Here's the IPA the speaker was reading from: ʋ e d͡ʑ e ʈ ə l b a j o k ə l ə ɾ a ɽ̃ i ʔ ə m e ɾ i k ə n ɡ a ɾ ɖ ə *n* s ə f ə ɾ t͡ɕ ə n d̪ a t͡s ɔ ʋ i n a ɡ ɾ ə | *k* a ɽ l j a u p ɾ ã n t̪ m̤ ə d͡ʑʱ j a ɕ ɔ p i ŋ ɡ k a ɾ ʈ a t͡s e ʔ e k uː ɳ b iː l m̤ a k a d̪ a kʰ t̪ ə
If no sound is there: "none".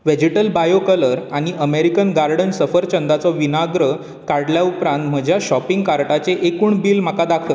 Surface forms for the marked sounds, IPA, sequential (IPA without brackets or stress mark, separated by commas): n, k